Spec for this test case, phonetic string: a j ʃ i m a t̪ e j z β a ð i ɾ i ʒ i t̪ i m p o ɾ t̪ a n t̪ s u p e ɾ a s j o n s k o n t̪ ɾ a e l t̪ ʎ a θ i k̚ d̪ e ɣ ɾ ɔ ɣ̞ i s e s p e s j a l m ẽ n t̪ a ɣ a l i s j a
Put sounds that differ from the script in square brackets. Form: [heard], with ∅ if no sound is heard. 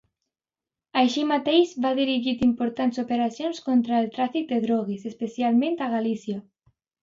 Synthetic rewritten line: a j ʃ i m a t̪ e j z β a ð i ɾ i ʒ i t̪ i m p o ɾ t̪ a n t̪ s [o] p e ɾ a s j o n s k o n t̪ ɾ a e l t̪ [ɾ] a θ i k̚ d̪ e [ð] ɾ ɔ ɣ̞ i s e s p e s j a l m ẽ n t̪ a ɣ a l i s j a